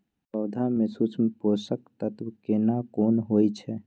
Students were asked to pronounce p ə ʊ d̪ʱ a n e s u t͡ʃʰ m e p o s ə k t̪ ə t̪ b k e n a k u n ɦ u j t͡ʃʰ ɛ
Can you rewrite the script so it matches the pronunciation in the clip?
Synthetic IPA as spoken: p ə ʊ d̪ʱ a m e s u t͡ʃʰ m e p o s ə k t̪ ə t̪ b k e n a k o n ɦ o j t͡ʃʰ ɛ